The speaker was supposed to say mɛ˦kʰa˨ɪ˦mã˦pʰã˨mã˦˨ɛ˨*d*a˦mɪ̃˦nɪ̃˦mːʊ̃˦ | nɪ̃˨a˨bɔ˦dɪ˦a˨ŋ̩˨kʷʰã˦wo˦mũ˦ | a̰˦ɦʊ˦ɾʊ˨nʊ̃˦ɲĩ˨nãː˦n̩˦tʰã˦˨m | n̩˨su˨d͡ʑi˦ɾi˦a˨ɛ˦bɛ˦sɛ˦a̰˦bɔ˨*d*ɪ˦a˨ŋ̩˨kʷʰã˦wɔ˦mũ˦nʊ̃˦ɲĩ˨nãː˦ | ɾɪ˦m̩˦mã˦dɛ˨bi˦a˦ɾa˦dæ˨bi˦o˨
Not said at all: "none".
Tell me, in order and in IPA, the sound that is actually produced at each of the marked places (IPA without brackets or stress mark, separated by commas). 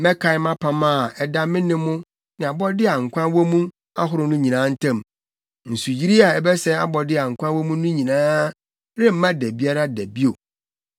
d, d